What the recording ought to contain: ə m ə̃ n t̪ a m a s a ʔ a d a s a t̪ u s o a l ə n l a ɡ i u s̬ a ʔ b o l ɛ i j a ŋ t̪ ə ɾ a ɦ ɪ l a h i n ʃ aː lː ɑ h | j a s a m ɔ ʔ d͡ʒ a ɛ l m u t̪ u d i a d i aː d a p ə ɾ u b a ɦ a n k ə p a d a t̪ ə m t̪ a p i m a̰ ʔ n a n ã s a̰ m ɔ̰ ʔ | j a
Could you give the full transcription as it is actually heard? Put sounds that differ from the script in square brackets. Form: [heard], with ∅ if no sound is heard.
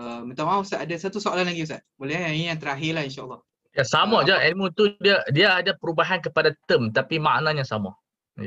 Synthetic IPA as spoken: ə m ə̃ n t̪ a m a s a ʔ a d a s a t̪ u s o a l [a] n l a ɡ i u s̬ a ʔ b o l ɛ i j a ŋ t̪ ə ɾ a ɦ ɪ l a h i n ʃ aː lː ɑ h | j a s a m ɔ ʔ d͡ʒ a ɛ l m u t̪ u d i a d i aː d a p ə ɾ u b a ɦ a n k ə p a d a t̪ ə m t̪ a p i m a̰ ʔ n a [ɲ] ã s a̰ m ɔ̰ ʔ | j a